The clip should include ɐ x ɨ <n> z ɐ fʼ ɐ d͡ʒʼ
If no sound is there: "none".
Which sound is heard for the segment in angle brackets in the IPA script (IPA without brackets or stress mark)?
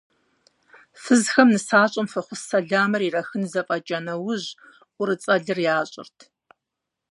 n